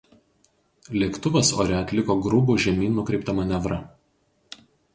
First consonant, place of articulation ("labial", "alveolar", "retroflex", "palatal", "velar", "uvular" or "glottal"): alveolar